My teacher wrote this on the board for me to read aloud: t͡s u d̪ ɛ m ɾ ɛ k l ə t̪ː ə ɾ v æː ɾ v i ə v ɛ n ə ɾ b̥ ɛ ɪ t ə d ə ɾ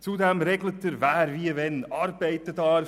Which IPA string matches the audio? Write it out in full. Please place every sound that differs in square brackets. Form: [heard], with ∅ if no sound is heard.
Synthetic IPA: t͡s u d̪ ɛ m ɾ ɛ [ɡ] l ə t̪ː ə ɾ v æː ɾ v i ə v ɛ n [ɑ] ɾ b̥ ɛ ɪ t ə d [ɑ] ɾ